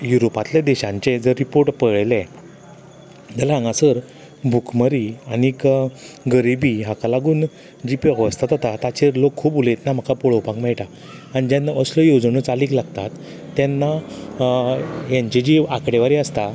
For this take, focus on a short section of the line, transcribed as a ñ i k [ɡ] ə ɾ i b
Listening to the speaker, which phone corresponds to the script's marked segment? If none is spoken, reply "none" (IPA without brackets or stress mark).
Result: ɡ